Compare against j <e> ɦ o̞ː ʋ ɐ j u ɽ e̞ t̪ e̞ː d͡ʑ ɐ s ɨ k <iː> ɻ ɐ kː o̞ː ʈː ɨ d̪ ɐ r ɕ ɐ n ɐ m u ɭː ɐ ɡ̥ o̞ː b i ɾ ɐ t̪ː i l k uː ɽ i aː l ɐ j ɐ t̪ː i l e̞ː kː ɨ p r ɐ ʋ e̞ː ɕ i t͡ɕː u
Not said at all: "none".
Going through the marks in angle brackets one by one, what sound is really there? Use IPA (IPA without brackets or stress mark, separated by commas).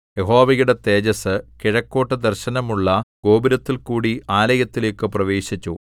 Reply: e, i